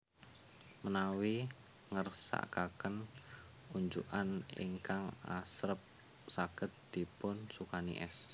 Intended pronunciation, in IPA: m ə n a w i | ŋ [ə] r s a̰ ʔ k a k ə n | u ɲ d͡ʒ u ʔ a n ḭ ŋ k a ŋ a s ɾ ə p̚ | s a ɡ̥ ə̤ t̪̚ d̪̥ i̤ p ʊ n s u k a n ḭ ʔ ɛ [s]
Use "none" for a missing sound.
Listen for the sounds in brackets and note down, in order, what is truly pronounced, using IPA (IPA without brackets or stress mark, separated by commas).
ə, s